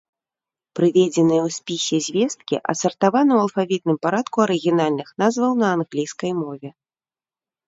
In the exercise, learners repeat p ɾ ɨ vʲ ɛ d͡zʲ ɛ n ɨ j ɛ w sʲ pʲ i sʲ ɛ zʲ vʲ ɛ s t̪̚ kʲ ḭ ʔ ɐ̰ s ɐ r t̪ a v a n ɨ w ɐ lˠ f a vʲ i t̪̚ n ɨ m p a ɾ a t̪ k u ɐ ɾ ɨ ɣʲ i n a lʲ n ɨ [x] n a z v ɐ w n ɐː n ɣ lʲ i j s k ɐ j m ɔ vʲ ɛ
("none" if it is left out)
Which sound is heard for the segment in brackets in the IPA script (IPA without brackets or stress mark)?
x